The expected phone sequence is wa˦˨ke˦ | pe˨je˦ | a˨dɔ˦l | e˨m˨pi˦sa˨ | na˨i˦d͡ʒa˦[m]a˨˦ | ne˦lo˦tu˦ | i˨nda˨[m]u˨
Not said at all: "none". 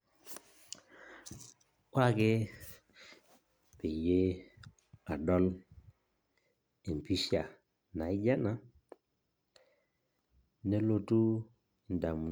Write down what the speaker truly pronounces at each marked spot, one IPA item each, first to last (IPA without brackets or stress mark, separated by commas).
n, m